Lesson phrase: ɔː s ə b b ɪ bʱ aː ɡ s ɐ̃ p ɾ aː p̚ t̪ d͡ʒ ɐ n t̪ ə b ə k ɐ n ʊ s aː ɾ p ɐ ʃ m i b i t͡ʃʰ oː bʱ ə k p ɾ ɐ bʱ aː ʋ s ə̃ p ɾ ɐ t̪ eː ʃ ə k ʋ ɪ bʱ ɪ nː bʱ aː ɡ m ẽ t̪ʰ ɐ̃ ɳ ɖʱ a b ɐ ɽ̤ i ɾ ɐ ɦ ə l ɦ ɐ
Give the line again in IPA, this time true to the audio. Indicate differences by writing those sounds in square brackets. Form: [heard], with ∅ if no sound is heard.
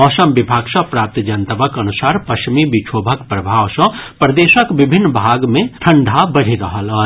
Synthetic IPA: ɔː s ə [m] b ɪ bʱ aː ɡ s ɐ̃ p ɾ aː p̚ t̪ d͡ʒ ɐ n t̪ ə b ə k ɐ n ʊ s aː ɾ p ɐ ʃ m i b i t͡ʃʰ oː bʱ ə k p ɾ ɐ bʱ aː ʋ s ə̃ p ɾ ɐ [d̪] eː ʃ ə k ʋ ɪ bʱ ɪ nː bʱ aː ɡ m ẽ t̪ʰ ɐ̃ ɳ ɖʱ a b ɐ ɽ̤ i ɾ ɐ ɦ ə l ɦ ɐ